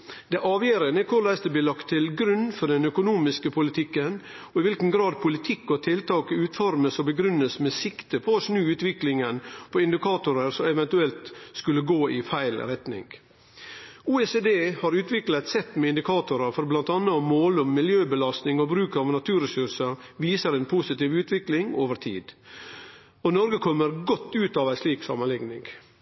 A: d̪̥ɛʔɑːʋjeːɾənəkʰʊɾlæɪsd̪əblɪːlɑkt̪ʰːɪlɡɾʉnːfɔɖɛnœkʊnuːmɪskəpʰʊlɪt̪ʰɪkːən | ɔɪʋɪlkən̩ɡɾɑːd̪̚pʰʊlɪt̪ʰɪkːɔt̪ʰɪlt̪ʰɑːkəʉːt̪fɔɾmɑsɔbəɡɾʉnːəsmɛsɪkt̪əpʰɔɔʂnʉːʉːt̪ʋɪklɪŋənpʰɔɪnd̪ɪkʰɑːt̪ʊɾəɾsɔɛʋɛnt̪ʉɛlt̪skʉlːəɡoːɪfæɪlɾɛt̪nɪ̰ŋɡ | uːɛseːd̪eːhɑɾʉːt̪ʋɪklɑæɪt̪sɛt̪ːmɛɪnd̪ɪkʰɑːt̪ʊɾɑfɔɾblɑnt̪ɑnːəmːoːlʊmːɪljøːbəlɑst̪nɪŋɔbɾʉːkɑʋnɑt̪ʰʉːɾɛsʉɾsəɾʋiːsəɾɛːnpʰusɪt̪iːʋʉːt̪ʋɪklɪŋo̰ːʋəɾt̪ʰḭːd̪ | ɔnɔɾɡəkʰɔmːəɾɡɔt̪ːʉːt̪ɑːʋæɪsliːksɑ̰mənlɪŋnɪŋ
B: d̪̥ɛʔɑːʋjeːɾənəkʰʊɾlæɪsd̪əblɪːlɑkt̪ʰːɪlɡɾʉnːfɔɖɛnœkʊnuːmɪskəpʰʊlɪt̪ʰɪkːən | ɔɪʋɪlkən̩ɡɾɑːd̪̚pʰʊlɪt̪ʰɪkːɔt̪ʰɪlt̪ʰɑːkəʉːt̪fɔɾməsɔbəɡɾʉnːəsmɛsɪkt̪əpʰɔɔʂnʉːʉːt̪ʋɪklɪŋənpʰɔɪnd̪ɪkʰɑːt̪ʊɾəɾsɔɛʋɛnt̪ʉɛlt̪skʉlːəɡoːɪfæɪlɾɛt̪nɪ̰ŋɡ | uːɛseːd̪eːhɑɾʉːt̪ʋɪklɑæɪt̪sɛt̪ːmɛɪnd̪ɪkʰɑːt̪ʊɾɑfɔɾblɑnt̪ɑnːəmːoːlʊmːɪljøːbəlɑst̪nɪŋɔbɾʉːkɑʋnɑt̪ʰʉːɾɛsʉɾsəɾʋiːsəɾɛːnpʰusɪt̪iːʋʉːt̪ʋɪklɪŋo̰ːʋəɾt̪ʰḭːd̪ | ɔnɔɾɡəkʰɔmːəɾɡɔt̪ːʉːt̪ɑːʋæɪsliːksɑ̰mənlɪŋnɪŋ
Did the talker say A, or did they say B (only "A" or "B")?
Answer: B